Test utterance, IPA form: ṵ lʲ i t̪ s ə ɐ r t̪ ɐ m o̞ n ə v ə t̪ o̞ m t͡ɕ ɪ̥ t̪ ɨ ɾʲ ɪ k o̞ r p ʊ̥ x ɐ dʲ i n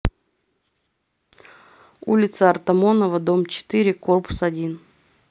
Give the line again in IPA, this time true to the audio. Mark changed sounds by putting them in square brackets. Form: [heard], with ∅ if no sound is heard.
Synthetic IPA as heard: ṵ lʲ [ɪ] t̪ s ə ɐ r t̪ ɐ m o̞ n ə v ə [d̪] o̞ m t͡ɕ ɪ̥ t̪ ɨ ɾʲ ɪ k o̞ r p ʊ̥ [s] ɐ dʲ i n